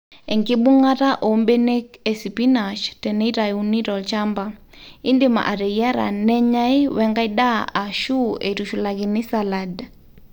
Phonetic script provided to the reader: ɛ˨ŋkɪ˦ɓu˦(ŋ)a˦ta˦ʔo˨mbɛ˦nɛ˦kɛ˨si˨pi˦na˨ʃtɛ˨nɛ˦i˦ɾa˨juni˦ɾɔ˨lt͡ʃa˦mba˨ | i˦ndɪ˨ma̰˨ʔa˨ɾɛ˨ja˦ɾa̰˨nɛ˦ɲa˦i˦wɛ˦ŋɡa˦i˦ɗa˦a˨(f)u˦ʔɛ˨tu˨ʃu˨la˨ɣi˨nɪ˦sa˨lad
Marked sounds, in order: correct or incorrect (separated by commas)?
correct, incorrect